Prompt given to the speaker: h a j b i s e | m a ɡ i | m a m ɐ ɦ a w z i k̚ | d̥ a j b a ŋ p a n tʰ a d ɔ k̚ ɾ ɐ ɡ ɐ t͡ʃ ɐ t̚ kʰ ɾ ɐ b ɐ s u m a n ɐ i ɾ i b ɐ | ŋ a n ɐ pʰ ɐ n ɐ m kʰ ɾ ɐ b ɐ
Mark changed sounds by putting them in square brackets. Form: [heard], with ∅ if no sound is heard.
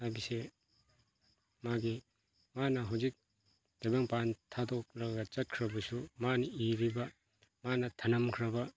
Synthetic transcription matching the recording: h a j b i s e | m a ɡ i | m a [n] ɐ ɦ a w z i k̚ | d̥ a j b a ŋ p a n tʰ a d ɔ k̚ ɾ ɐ ɡ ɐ t͡ʃ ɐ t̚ kʰ ɾ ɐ b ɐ s u m a n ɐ i ɾ i b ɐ | [m] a n ɐ [tʰ] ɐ n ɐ m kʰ ɾ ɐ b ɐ